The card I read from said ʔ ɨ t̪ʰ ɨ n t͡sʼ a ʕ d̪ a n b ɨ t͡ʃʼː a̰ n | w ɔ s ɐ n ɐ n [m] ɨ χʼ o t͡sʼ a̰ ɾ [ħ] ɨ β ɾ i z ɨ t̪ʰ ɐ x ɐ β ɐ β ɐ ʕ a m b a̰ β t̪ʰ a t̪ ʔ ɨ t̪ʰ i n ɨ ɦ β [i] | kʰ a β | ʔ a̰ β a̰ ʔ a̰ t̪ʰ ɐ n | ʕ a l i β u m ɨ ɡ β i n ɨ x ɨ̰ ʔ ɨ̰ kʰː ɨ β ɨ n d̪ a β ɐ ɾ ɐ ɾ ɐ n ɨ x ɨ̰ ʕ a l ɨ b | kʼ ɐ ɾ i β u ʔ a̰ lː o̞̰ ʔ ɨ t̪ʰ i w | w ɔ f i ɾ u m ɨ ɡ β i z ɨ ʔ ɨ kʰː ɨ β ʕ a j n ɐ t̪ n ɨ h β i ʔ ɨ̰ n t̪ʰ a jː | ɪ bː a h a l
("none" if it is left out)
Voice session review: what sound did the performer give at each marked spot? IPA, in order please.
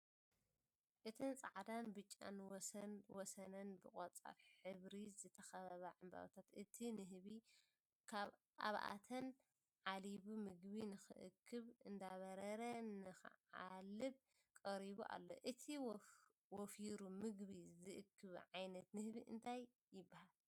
b, ħ, i

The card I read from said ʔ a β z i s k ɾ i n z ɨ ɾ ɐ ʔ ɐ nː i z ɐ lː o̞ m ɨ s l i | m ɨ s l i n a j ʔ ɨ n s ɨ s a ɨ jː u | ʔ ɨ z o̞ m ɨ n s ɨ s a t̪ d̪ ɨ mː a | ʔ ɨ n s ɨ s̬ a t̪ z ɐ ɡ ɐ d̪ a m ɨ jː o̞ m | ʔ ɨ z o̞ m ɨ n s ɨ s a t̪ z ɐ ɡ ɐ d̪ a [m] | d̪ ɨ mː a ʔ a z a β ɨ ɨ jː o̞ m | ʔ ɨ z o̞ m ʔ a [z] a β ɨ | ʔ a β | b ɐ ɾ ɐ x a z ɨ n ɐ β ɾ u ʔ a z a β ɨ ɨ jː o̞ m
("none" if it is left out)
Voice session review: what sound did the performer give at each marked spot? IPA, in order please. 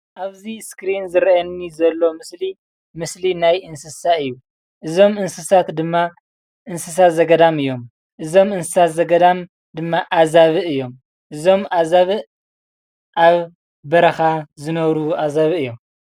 m, z

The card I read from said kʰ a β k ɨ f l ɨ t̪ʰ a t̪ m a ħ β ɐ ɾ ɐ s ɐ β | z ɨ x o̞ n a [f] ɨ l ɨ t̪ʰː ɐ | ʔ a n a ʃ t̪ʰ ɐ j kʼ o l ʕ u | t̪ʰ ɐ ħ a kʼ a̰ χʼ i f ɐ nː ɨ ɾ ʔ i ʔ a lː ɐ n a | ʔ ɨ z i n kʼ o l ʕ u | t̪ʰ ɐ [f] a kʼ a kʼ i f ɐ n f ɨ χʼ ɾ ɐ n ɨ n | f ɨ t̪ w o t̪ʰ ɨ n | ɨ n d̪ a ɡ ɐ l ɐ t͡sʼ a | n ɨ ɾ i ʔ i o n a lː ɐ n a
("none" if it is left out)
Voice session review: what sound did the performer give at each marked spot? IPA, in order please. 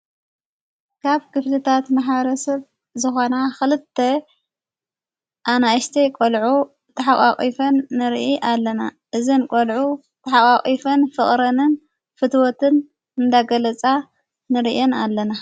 x, ħ

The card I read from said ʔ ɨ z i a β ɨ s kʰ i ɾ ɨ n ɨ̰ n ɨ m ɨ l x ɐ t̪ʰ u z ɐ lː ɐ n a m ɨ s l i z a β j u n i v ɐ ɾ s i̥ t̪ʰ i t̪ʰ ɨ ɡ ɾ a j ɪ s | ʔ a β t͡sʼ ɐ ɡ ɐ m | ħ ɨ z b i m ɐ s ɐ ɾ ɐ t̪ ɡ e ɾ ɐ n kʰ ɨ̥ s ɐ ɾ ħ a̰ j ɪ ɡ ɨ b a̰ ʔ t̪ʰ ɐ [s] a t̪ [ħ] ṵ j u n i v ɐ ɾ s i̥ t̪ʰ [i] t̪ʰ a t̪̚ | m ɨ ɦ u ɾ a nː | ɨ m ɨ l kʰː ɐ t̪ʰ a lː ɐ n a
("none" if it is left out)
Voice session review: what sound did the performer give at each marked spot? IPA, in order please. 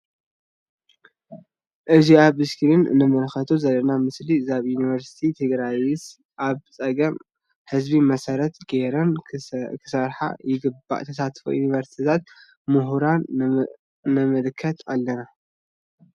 s, f, i

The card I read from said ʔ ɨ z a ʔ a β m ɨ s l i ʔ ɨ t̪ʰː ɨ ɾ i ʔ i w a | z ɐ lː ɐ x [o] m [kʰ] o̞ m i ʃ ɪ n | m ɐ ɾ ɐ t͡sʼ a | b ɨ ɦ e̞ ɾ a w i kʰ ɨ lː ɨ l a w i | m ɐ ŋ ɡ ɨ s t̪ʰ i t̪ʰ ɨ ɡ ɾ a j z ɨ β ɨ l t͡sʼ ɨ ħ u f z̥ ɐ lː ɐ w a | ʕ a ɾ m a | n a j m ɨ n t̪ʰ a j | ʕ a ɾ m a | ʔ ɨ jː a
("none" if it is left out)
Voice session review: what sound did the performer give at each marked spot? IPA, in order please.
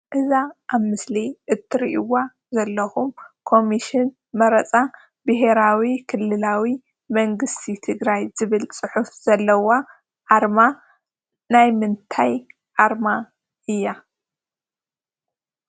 u, kʰ

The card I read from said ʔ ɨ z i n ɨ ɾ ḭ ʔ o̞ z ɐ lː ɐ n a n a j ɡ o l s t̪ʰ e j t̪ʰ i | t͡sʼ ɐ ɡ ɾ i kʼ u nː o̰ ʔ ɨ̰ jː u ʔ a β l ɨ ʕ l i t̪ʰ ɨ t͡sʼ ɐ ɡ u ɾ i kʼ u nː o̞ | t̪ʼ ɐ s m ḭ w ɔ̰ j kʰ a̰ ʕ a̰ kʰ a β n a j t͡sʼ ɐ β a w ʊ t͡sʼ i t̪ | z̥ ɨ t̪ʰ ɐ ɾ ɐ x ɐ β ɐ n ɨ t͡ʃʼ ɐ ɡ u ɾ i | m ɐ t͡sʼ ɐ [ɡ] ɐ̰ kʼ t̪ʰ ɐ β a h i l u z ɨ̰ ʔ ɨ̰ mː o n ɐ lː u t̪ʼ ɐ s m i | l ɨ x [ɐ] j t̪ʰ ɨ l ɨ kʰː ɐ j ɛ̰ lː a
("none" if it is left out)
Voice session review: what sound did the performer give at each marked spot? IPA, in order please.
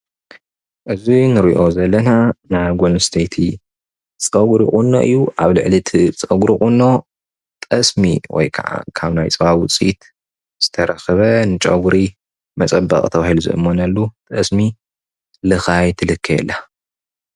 b, a

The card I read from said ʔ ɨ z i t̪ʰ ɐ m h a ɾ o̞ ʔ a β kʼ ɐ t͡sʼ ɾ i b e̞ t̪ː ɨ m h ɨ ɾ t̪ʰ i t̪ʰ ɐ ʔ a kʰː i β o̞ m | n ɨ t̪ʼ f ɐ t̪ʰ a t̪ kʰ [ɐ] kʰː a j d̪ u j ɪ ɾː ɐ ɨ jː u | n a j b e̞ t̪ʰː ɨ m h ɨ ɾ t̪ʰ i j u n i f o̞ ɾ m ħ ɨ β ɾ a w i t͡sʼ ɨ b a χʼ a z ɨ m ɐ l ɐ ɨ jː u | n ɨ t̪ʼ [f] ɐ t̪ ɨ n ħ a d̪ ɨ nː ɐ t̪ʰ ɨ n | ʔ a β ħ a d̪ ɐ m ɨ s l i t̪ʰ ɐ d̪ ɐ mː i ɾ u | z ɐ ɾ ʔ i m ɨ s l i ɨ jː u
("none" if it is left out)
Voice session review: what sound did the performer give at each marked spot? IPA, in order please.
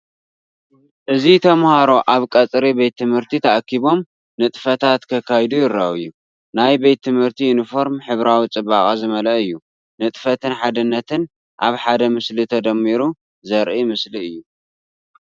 ɐ, f

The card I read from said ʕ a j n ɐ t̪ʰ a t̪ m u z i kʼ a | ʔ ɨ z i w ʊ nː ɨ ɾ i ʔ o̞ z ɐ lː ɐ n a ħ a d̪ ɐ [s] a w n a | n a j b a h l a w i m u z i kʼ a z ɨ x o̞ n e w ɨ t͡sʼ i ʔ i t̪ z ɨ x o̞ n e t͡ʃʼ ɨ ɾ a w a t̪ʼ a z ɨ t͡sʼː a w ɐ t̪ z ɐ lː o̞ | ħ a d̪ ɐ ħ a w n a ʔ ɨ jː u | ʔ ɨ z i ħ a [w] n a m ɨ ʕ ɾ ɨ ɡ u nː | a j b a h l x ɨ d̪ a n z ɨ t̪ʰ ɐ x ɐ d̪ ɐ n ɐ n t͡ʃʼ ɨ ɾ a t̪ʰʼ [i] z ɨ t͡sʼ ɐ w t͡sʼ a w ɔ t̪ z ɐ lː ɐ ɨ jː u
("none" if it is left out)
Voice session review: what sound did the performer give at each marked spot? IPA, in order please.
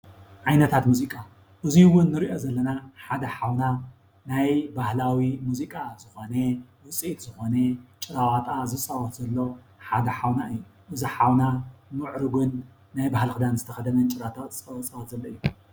ħ, w, a

